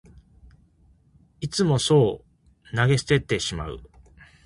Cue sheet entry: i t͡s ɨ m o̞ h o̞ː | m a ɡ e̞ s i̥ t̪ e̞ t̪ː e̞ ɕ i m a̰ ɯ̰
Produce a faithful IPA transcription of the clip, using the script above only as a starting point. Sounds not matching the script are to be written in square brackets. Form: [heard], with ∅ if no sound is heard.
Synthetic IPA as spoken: i t͡s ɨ m o̞ [s] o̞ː | [n] a ɡ e̞ s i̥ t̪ e̞ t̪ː e̞ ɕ i m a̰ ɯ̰